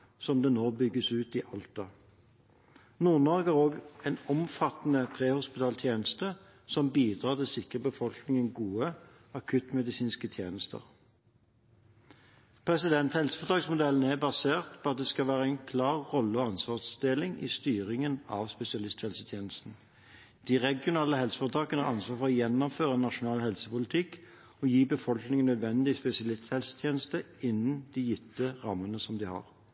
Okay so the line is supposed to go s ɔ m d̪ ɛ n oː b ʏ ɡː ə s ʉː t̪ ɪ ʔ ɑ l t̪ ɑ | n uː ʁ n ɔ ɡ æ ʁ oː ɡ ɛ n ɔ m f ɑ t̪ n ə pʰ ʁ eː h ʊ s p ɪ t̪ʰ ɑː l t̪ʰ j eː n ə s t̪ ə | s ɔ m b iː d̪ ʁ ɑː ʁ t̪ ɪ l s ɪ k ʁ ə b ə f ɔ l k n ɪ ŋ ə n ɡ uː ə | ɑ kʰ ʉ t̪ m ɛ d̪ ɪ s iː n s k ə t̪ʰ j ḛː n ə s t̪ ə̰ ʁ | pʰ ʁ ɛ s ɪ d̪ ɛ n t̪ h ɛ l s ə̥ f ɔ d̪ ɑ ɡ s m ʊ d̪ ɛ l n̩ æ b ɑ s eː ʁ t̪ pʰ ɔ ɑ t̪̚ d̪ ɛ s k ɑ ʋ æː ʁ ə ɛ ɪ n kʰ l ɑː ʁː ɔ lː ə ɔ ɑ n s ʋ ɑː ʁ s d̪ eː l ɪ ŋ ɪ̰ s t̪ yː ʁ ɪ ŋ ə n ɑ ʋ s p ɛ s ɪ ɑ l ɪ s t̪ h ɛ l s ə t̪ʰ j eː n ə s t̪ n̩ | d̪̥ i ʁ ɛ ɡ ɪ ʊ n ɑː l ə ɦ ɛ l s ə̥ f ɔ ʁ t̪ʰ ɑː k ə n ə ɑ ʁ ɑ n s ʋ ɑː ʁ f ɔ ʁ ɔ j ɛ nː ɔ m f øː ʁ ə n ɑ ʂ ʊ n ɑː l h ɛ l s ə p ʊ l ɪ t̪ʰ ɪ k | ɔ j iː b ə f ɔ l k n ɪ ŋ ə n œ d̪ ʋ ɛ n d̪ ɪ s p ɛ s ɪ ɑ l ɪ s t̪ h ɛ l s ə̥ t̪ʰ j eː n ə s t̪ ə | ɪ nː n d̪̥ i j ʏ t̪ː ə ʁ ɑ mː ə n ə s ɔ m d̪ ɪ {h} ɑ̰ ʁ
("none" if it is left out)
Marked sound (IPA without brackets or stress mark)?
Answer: h